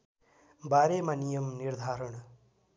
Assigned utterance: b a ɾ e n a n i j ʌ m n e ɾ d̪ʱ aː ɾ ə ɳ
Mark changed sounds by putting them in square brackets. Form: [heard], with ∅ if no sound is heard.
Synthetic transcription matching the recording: b a ɾ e [m] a n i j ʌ m n [i] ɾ d̪ʱ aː ɾ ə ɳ